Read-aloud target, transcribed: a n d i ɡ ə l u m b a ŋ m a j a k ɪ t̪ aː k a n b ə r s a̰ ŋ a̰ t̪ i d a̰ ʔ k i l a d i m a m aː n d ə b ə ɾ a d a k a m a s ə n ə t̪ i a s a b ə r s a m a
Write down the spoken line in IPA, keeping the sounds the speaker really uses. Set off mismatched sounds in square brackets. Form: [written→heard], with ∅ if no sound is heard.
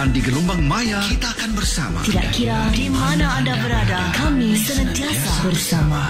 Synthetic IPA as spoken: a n d i ɡ ə l u m b a ŋ m a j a k [ɪ→i] t̪ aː k a n b ə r s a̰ [ŋ→m] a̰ t̪ i d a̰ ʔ k i [l→ɾ] a d i m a [m→n] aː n d [ə→a] b ə ɾ a d a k a m [a→i] s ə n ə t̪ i a s a b ə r s a m a